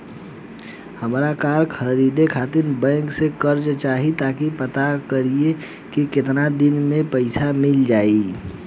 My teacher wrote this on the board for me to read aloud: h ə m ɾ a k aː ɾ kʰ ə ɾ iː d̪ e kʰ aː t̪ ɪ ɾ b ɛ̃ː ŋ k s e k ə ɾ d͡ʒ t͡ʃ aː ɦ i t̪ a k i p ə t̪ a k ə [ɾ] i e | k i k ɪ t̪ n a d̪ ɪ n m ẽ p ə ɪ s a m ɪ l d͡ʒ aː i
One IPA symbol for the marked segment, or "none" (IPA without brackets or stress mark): ɾ